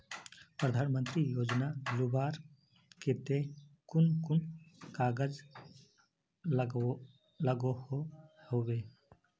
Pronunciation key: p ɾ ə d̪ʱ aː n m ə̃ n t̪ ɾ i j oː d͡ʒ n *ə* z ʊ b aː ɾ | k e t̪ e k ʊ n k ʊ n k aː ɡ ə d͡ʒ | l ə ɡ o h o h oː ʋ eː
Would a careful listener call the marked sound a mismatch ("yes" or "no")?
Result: yes